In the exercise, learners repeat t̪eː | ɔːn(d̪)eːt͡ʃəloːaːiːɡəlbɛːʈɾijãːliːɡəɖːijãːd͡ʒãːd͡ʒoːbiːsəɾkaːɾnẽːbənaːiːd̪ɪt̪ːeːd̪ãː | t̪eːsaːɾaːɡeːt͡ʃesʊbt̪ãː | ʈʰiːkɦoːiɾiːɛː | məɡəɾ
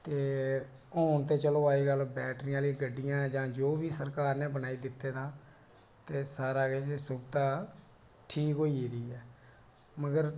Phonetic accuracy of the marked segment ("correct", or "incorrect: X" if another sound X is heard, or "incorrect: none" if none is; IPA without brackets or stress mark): incorrect: t̪